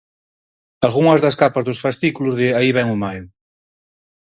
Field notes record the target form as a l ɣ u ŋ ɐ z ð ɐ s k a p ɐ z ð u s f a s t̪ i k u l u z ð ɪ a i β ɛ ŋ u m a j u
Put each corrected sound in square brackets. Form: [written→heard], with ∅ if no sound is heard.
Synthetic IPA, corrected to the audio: a l ɣ u ŋ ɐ z ð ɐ s k a p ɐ z ð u s f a s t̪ i k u l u z ð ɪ a i β ɛ ŋ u m a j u